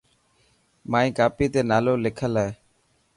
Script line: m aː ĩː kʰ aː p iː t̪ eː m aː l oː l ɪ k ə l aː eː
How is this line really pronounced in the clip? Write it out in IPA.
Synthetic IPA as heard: m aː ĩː k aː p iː t̪ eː n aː l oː l ɪ kʰ ə l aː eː